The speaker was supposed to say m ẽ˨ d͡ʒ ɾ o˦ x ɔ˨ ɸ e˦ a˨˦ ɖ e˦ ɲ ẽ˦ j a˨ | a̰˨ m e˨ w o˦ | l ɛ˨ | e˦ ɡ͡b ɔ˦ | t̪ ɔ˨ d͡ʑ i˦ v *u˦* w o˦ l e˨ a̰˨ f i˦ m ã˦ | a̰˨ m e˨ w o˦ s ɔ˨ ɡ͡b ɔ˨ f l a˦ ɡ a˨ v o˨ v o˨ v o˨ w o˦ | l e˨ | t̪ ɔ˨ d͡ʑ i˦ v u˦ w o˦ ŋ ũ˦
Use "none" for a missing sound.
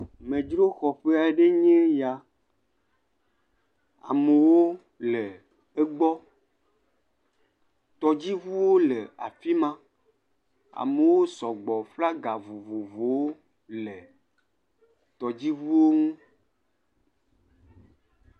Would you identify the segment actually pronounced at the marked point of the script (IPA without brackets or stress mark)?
u˦